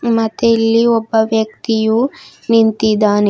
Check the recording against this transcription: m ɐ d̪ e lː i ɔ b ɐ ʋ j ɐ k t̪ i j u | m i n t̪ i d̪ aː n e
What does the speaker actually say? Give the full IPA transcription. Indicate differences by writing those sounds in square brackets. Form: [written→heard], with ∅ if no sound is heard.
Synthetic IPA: m ɐ [d̪→t̪] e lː i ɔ [b→bː] ɐ ʋ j ɐ k t̪ i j u | [m→n] i n t̪ i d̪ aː n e

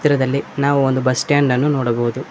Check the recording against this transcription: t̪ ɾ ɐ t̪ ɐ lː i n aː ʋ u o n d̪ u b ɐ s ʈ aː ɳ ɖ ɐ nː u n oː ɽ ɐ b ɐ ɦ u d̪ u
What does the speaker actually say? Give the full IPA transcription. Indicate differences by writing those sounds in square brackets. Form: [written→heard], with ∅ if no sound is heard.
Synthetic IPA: t̪ ɾ ɐ [t̪→d̪] ɐ lː i n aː ʋ u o n d̪ u b ɐ s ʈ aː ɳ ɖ ɐ nː u n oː ɽ ɐ b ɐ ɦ u d̪ u

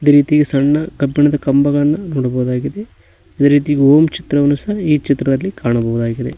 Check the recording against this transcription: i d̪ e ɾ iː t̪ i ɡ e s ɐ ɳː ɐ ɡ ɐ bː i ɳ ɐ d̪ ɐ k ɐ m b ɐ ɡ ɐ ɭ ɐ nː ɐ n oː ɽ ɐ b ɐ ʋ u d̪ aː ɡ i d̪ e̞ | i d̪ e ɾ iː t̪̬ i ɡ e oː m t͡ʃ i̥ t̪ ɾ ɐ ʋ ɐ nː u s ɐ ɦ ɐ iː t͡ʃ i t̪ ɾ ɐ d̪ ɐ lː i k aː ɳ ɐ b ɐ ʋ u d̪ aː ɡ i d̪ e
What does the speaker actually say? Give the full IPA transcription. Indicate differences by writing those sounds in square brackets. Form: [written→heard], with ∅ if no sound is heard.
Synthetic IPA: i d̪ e ɾ iː t̪ i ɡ e s ɐ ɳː ɐ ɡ ɐ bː i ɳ ɐ d̪ ɐ k ɐ m b ɐ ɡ ɐ ɭ ɐ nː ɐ n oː ɽ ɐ b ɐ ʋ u d̪ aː ɡ i d̪ e̞ | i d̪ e ɾ iː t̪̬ i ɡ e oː m t͡ʃ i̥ t̪ ɾ ɐ ʋ ɐ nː u s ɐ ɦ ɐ iː t͡ʃ i t̪ ɾ ɐ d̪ ɐ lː i k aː ɳ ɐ b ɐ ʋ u d̪ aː ɡ i d̪ e

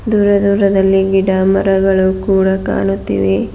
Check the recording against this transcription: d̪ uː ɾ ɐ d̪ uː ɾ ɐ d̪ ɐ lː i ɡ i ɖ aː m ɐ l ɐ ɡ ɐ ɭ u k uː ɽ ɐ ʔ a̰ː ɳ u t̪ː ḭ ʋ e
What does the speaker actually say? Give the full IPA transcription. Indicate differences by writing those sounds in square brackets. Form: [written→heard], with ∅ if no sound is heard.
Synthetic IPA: d̪ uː ɾ ɐ d̪ uː ɾ ɐ d̪ ɐ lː i ɡ i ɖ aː m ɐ [l→ɾ] ɐ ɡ ɐ ɭ u k uː ɽ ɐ [ʔ→k] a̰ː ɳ u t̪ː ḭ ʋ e

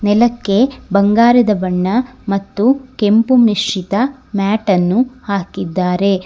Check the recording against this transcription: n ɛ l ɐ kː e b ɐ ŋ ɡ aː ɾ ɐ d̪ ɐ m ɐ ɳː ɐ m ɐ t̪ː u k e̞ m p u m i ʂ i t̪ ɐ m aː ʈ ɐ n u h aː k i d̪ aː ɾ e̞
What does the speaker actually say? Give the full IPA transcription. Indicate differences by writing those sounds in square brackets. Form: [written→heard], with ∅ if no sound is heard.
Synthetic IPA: n ɛ l ɐ kː e b ɐ ŋ ɡ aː ɾ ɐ d̪ ɐ [m→b] ɐ ɳː ɐ m ɐ t̪ː u k e̞ m p u m i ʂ i t̪ ɐ m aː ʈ ɐ [n→nː] u h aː k i [d̪→d̪ː] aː ɾ e̞

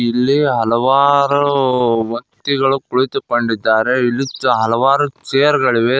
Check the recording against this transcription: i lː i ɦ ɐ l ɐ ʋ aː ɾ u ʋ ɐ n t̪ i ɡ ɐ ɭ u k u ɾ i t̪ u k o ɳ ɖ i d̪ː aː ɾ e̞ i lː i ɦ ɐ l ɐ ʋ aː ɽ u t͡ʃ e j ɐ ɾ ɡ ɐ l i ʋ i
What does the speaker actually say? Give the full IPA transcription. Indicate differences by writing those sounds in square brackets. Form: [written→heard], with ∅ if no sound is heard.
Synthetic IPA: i lː i ɦ ɐ l ɐ ʋ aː ɾ u ʋ ɐ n t̪ i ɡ ɐ ɭ u k u [ɾ→ɭ] i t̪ u k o ɳ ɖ i d̪ː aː ɾ e̞ i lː i ɦ ɐ l ɐ ʋ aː [ɽ→ɾ] u t͡ʃ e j ɐ ɾ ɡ ɐ [l→ɭ] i ʋ [i→e]

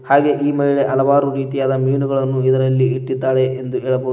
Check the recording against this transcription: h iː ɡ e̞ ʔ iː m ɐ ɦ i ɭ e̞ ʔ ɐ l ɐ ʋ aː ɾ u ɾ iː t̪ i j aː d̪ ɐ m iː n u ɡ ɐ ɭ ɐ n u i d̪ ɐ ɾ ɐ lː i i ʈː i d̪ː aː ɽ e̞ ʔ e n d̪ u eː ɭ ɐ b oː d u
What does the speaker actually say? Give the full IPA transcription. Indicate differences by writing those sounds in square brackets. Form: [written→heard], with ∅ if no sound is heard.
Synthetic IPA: h [iː→aː] ɡ e̞ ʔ iː m ɐ ɦ i ɭ e̞ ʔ ɐ l ɐ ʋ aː ɾ u ɾ iː t̪ i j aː d̪ ɐ m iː n u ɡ ɐ ɭ ɐ [n→nː] u i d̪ ɐ ɾ ɐ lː i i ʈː i d̪ː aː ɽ e̞ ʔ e n d̪ u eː ɭ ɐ b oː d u

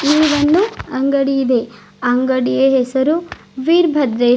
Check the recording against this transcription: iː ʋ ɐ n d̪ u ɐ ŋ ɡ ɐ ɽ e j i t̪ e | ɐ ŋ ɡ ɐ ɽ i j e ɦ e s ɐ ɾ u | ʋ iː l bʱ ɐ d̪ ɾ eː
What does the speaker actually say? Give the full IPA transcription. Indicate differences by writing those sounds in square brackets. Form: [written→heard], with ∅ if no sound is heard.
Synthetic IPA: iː ʋ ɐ n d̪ u ɐ ŋ ɡ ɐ ɽ [e→i] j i [t̪→d̪] e | ɐ ŋ ɡ ɐ ɽ i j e ɦ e s ɐ ɾ u | ʋ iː [l→ɾ] bʱ ɐ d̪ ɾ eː

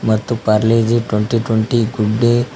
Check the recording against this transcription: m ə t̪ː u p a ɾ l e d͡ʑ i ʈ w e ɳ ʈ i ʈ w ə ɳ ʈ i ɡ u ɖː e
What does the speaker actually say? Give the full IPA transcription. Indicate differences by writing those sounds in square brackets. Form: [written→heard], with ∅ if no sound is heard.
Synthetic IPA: m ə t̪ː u p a ɾ l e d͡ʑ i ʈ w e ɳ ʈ i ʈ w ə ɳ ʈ i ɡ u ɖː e

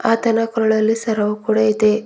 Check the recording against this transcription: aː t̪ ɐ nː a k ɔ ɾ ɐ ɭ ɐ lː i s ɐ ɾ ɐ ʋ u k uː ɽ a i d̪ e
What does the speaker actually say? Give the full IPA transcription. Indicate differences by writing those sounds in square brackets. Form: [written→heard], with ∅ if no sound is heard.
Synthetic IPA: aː t̪ ɐ [nː→n] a k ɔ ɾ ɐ ɭ ɐ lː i s ɐ ɾ ɐ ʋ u k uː ɽ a i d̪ e

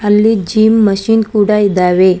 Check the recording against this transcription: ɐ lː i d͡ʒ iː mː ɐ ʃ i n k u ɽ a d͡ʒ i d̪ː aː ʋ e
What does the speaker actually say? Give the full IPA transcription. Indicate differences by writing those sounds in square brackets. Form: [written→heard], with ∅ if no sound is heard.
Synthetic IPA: ɐ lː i d͡ʒ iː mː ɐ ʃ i n k [u→uː] ɽ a [d͡ʒ→∅] i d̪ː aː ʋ e

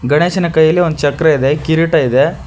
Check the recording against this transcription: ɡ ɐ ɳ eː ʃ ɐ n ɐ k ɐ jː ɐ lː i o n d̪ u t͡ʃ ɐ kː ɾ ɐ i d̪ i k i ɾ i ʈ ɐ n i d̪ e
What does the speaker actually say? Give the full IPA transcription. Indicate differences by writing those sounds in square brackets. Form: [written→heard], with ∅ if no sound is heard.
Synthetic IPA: ɡ ɐ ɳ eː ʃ ɐ n ɐ k ɐ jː ɐ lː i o n d̪ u t͡ʃ ɐ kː ɾ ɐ i d̪ [i→e] k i ɾ i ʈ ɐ [n→∅] i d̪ e

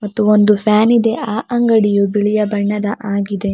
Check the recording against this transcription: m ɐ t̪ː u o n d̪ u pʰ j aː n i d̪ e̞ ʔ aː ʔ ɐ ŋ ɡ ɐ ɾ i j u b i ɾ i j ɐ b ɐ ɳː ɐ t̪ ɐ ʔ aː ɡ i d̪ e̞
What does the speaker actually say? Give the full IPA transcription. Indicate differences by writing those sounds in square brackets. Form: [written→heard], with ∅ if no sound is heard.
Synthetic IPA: m ɐ t̪ː u o n d̪ u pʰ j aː n i d̪ e̞ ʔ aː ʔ ɐ ŋ ɡ ɐ [ɾ→ɽ] i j u b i [ɾ→ɭ] i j ɐ b ɐ ɳː ɐ [t̪→d̪] ɐ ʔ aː ɡ i d̪ e̞

